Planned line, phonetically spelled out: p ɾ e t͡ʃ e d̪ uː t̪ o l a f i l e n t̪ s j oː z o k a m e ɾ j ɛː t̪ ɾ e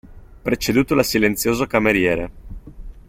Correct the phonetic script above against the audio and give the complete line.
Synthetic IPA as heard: p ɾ e t͡ʃ e d̪ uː t̪ o l a s i l e n t̪ s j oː z o k a m e ɾ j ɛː ɾ e